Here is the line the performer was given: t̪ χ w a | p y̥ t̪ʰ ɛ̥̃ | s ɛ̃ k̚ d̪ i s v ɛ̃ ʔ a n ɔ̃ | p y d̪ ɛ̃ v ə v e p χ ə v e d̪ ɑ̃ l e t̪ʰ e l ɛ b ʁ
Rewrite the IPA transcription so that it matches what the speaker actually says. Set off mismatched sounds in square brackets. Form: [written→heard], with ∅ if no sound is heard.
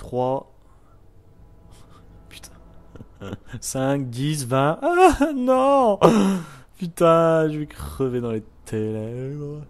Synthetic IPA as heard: t̪ χ w a | p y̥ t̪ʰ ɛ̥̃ | s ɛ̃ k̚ d̪ i s v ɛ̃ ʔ a n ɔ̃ | p y [d̪→t̪] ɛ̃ [v→ʒ] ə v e [p→k] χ ə v e d̪ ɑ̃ l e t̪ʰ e l ɛ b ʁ

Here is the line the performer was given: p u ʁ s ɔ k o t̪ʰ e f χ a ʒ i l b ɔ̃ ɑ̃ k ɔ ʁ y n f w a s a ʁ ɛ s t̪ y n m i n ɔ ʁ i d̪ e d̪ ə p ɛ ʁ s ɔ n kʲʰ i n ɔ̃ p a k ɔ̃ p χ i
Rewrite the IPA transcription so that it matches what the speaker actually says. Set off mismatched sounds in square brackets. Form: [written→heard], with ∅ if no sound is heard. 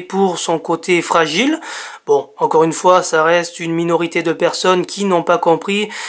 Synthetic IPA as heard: p u ʁ s [ɔ→ɔ̃] k o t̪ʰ e f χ a ʒ i l b ɔ̃ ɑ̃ k ɔ ʁ y n f w a s a ʁ ɛ s t̪ y n m i n ɔ ʁ i [d̪→t̪] e d̪ ə p ɛ ʁ s ɔ n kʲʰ i n ɔ̃ p a k ɔ̃ p χ i

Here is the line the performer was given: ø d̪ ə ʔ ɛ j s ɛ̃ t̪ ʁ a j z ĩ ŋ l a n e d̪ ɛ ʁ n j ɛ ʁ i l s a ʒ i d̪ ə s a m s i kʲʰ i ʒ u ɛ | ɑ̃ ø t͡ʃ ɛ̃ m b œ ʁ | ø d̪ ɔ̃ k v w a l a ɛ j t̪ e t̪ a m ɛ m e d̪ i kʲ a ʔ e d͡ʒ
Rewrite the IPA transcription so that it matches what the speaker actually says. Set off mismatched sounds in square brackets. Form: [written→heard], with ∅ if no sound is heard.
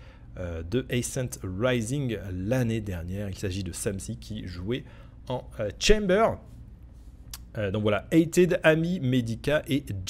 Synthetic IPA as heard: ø d̪ ə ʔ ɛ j s ɛ̃ t̪ ʁ a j z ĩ ŋ l a n e d̪ ɛ ʁ n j ɛ ʁ i l s a ʒ i d̪ ə s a m s i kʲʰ i ʒ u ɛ | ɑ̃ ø t͡ʃ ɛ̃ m b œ ʁ | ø d̪ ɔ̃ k v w a l a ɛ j t̪ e [t̪→d̪] a m [ɛ→i] m e d̪ i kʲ a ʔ e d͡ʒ

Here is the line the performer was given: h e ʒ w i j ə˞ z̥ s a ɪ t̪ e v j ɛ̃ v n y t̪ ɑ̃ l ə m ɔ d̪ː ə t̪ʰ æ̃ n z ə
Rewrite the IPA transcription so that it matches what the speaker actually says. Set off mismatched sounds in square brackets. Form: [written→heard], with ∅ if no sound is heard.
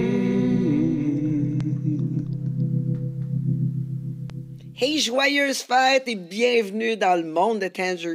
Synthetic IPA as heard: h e ʒ w [i→a] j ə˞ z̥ [s→f] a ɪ t̪ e [v→b] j ɛ̃ v n y [t̪→d̪] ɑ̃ l ə m [ɔ→ɔ̃] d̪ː ə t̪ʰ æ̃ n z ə

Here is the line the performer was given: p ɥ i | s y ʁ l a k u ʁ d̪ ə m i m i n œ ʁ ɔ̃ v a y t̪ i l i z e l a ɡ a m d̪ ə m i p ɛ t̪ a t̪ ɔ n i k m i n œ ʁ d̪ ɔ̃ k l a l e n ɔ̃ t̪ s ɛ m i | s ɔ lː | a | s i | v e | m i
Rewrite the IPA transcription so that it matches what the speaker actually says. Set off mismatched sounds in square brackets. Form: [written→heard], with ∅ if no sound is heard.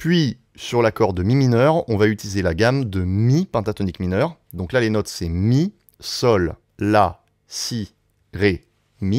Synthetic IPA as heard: p ɥ i | s y ʁ l a k [u→ɔ] ʁ d̪ ə m i m i n œ ʁ ɔ̃ v a y t̪ i l i z e l a ɡ a m d̪ ə m i p [ɛ→ɛ̃] t̪ a t̪ ɔ n i k m i n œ ʁ d̪ ɔ̃ k l a l e n [ɔ̃→ɔ] t̪ s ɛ m i | s ɔ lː | a | s i | [v→ʁ] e | m i

